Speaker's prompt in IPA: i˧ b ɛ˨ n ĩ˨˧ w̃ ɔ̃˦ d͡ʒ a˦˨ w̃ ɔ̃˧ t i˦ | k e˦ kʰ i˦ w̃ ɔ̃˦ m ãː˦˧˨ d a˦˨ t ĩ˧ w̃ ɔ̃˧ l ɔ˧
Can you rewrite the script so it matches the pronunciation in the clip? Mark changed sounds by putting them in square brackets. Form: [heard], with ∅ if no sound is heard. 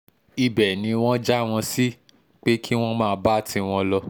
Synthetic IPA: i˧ b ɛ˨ n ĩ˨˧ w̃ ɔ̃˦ d͡ʒ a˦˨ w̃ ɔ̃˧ [s] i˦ | [k͡p] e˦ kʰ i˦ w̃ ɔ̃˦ m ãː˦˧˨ [b] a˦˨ t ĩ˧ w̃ ɔ̃˧ l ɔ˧